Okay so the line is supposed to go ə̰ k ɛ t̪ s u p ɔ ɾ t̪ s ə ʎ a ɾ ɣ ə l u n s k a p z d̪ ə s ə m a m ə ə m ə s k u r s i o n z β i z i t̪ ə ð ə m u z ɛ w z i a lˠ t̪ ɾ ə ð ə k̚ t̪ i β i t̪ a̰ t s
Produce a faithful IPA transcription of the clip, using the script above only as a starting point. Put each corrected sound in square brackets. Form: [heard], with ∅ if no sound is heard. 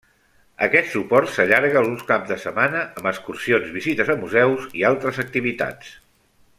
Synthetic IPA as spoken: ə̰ k ɛ t̪ s u p ɔ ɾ t̪ s ə ʎ a ɾ ɣ ə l u n s k a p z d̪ ə s ə m a [n] ə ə m ə s k u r s i o n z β i z i t̪ ə [z] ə m u z ɛ w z i a lˠ t̪ ɾ ə [z] ə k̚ t̪ i β i t̪ a̰ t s